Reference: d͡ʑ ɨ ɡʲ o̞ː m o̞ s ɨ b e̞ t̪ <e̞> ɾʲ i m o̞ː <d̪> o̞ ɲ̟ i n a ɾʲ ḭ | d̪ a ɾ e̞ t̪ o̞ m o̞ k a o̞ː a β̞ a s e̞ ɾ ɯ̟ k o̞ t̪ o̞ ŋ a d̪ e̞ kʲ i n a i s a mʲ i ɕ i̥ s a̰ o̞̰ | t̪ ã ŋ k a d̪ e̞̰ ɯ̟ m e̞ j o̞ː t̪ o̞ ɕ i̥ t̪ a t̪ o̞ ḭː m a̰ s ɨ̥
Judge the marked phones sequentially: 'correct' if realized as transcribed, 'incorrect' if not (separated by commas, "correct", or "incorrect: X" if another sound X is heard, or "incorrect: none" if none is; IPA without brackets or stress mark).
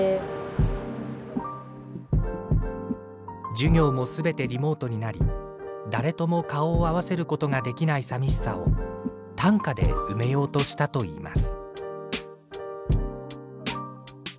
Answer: correct, incorrect: t̪